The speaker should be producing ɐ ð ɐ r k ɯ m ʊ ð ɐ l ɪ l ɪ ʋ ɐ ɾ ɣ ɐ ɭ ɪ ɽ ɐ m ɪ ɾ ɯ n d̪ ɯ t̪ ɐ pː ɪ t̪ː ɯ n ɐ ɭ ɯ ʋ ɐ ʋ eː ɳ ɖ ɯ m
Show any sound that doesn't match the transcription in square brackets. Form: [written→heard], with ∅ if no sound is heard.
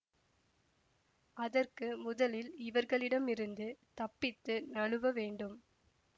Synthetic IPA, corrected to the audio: ɐ ð ɐ r k ɯ m ʊ ð ɐ l ɪ l ɪ ʋ ɐ ɾ ɣ ɐ ɭ ɪ ɽ ɐ m ɪ ɾ ɯ n d̪ ɯ t̪ ɐ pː ɪ t̪ː ɯ n ɐ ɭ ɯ ʋ ɐ ʋ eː ɳ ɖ ɯ m